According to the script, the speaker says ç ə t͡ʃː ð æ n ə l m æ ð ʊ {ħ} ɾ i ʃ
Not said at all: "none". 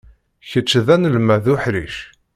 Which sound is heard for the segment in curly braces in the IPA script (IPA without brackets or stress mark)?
ħ